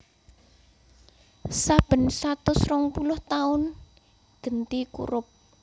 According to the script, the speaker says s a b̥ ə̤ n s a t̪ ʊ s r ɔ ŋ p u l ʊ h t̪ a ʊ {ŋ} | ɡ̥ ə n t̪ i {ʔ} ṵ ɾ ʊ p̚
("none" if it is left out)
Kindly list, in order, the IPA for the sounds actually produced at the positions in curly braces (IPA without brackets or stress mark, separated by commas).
n, k